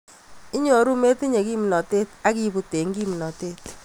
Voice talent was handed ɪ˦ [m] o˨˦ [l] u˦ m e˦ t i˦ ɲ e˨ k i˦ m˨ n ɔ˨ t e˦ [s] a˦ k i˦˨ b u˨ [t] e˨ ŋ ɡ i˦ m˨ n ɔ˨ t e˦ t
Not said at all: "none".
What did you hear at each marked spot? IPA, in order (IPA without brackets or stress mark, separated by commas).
ɲ, ɾ, t, t